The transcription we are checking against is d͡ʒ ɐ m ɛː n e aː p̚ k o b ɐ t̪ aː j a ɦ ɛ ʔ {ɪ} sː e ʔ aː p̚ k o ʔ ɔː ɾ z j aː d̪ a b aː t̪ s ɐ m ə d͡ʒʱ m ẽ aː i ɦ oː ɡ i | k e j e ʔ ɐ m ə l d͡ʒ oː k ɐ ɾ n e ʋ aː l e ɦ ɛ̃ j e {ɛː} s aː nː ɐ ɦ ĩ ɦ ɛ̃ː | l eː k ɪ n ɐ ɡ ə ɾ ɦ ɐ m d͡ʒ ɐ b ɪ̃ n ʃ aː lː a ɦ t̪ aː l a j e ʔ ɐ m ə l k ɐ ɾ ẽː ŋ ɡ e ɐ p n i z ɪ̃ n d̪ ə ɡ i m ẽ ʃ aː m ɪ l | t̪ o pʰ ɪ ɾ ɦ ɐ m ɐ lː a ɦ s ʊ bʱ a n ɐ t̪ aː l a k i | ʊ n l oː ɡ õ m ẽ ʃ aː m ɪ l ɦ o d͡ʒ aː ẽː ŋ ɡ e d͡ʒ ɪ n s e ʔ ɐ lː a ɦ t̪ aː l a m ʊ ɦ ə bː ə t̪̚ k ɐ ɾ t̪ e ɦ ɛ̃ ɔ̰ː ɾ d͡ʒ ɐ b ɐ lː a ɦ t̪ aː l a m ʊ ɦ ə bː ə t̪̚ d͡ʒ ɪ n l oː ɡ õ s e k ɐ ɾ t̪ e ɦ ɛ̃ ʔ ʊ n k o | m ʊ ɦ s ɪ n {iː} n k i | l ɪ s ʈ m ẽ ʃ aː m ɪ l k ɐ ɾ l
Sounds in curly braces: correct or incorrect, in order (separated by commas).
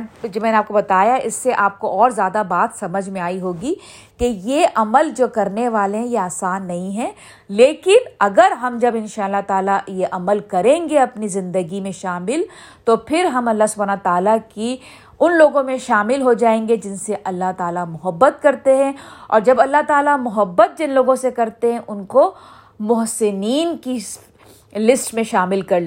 correct, incorrect, correct